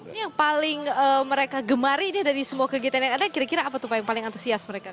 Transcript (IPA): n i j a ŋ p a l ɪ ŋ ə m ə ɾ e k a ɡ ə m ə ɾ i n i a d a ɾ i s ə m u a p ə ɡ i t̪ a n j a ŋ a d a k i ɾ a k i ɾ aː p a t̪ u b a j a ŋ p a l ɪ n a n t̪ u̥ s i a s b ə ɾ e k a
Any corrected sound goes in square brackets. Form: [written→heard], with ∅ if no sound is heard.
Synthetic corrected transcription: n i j a ŋ p a l ɪ ŋ ə m ə ɾ e k a ɡ ə m [ə→a] ɾ i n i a d a ɾ i s ə m u a [p→k] ə ɡ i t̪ a n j a ŋ a d a k i ɾ a k i ɾ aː p a t̪ u [b→p] a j a ŋ p a l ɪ [n→ŋ] a n t̪ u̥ s i a s [b→m] ə ɾ e k a